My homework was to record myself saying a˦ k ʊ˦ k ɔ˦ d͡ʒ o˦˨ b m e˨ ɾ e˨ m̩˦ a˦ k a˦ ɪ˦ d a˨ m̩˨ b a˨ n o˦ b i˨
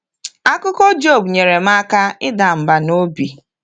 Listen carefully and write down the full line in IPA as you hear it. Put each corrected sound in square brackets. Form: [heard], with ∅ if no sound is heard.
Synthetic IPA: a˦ k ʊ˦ k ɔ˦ d͡ʒ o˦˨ b [ɲ] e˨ ɾ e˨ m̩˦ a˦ k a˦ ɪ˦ d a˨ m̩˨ b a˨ n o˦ b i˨